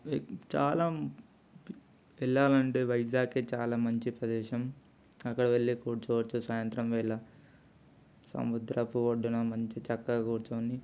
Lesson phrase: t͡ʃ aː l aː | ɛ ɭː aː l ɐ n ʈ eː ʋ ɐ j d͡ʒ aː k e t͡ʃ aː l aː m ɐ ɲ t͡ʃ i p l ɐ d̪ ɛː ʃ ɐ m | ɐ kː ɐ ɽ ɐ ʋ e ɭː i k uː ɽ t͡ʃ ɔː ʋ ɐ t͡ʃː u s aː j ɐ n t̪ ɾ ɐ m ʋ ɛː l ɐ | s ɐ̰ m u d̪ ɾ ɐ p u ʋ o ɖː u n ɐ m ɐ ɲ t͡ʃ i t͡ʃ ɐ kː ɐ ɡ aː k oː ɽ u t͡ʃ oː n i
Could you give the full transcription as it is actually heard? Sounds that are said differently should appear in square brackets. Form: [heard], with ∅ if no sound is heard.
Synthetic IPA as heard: t͡ʃ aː l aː | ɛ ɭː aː l ɐ [ɳ] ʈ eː ʋ ɐ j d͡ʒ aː k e t͡ʃ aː l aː m ɐ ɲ t͡ʃ i p [ɾ] ɐ d̪ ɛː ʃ ɐ m | ɐ kː ɐ ɽ ɐ ʋ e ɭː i k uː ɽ t͡ʃ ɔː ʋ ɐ t͡ʃː u s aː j ɐ n t̪ ɾ ɐ m ʋ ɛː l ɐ | s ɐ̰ m u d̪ ɾ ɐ p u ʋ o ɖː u n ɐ m ɐ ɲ t͡ʃ i t͡ʃ ɐ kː ɐ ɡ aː k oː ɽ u t͡ʃ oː n i